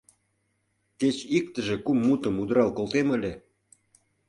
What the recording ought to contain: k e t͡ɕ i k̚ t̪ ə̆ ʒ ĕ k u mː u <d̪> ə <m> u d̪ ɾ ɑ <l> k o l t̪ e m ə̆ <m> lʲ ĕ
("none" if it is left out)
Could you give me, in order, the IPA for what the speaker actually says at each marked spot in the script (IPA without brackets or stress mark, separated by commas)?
t̪, m, l, none